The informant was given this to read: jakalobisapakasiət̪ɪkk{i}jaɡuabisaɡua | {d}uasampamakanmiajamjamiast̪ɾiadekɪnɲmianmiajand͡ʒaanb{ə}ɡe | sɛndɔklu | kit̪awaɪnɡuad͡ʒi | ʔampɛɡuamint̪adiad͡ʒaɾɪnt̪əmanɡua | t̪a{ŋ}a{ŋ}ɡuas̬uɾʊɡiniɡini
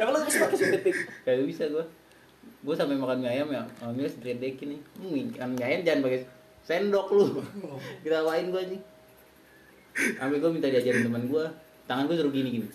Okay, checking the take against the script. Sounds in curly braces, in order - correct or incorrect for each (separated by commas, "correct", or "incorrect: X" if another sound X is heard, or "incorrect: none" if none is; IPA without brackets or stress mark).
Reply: incorrect: a, incorrect: ɡ, incorrect: a, correct, incorrect: n